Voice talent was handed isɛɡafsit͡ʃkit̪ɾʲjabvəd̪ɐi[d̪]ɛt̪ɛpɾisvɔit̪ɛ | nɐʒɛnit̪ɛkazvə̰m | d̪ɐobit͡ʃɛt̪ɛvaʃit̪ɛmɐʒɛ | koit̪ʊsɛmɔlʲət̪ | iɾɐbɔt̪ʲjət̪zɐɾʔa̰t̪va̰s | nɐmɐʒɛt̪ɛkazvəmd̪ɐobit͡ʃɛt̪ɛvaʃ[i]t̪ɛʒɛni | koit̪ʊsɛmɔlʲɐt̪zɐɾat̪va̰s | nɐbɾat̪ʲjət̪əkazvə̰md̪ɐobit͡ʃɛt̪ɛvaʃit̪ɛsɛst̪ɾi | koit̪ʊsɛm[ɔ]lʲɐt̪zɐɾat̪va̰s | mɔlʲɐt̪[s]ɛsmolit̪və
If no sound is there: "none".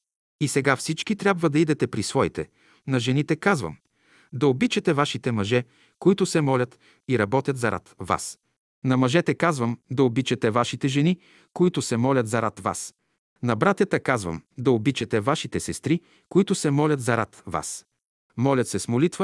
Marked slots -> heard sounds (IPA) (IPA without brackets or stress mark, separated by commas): d̪, i, ɔ, s